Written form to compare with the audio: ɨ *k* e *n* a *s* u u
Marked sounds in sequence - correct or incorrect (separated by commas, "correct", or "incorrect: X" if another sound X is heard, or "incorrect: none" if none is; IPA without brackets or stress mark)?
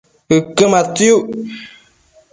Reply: correct, incorrect: m, incorrect: t